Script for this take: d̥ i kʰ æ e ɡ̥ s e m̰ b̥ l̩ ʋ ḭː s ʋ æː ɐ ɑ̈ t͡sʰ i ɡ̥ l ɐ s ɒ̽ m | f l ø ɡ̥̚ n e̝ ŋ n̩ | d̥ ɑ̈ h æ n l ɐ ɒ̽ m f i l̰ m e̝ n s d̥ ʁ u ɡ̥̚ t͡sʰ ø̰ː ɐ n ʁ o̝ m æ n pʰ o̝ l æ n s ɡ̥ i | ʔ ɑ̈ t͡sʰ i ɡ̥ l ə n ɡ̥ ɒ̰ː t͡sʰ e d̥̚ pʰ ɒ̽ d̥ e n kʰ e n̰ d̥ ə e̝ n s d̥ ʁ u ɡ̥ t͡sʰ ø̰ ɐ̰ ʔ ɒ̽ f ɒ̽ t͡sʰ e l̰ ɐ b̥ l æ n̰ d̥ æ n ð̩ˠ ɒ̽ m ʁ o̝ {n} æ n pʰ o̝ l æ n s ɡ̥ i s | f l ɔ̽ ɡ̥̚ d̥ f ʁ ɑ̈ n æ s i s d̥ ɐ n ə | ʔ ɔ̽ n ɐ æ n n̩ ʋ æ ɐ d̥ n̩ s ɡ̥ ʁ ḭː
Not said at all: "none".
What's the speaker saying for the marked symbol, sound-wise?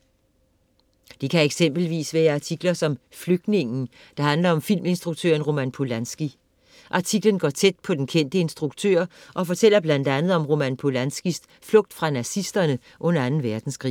m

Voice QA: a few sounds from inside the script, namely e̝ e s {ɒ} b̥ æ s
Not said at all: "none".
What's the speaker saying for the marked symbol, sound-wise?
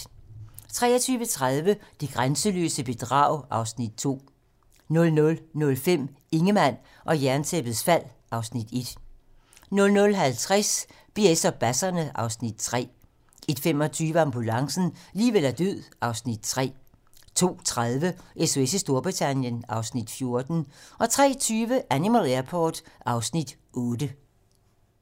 ɒ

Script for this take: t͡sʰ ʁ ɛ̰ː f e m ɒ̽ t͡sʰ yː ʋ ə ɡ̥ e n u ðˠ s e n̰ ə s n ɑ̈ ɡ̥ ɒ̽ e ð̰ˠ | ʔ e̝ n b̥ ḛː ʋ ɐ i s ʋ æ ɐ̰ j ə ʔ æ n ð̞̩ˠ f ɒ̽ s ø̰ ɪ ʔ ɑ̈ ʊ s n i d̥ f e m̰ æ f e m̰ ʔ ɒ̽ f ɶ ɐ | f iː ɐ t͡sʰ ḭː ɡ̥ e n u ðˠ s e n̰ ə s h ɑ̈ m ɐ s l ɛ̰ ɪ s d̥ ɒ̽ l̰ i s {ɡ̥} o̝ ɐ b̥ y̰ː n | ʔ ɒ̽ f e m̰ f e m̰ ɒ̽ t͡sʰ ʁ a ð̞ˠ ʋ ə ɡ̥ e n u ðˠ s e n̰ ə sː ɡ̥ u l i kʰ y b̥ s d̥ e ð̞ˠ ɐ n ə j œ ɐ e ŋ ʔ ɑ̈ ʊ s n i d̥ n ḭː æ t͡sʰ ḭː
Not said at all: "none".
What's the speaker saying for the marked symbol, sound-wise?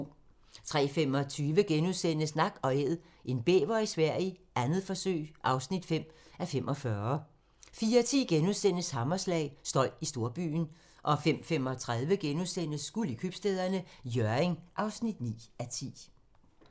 d̥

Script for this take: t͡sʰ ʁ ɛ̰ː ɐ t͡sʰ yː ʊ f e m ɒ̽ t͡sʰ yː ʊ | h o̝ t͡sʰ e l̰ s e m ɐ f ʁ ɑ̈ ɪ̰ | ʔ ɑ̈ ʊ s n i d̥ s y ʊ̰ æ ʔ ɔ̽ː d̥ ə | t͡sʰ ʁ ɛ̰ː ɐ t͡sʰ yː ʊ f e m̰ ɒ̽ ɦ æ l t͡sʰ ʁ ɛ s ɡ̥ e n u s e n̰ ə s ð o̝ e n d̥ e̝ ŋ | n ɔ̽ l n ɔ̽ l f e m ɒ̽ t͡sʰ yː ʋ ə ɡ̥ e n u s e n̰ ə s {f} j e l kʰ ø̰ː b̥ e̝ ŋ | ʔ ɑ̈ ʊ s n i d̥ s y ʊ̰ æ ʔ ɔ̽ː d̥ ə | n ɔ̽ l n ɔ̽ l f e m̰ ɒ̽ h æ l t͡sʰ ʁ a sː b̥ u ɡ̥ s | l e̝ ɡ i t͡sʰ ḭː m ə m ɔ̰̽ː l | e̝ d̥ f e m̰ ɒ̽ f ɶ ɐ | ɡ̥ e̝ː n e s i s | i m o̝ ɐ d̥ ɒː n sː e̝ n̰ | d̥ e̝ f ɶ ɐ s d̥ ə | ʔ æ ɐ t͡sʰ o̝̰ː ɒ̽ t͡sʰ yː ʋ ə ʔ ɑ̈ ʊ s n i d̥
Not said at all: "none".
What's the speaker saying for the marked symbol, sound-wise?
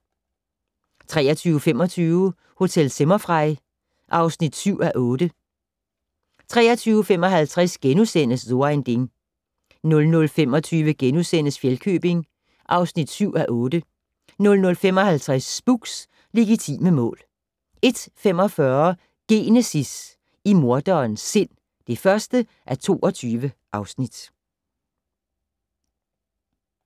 f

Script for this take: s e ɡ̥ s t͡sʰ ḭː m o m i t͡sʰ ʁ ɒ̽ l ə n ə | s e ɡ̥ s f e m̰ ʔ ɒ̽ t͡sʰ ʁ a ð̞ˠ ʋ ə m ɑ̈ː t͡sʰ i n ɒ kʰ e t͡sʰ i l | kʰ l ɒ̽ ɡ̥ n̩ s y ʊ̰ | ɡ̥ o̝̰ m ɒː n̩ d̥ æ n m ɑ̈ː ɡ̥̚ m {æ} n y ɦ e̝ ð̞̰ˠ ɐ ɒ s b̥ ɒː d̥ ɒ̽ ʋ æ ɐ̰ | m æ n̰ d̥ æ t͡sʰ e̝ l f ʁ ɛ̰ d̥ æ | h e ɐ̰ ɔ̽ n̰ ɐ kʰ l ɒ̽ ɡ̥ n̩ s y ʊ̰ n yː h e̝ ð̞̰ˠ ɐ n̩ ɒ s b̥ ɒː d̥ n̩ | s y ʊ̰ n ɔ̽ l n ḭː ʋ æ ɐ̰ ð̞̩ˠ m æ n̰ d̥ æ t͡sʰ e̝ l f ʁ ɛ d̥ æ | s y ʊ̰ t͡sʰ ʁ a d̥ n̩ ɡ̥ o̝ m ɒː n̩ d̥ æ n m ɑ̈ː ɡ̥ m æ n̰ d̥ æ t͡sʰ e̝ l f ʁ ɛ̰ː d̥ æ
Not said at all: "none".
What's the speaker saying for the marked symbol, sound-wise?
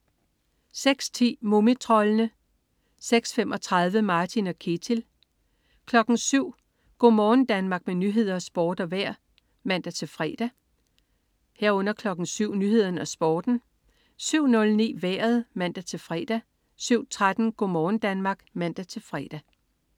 e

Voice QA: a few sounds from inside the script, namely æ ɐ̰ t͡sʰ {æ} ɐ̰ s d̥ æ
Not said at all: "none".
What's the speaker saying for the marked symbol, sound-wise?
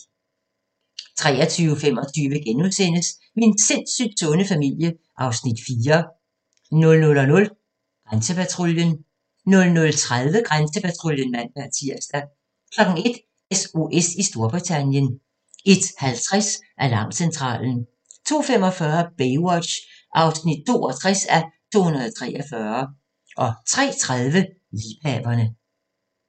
i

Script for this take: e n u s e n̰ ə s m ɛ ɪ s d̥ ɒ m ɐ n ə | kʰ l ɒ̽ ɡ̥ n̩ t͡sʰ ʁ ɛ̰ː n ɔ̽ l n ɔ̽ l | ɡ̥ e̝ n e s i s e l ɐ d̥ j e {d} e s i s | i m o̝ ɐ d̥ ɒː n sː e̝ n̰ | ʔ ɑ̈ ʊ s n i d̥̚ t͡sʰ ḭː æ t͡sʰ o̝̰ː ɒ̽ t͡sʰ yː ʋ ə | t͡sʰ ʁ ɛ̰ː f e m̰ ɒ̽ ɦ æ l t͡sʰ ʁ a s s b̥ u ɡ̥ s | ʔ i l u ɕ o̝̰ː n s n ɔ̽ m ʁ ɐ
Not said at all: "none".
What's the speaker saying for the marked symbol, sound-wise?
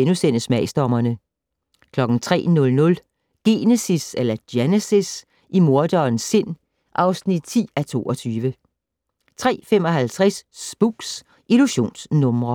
n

